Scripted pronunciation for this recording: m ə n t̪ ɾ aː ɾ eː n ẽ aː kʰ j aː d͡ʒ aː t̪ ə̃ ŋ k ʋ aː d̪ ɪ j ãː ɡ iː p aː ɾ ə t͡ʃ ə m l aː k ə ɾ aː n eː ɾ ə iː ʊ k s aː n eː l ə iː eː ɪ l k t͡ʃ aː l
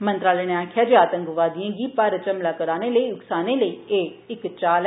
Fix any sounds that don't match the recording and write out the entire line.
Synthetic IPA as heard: m ə n t̪ ɾ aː l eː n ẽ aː kʰ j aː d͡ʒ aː t̪ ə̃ ŋ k ʋ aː d̪ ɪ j ãː ɡ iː p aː ɾ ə t͡ʃ ə m l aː k ə ɾ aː n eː l ə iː ʊ k s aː n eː l ə iː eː ɪ k t͡ʃ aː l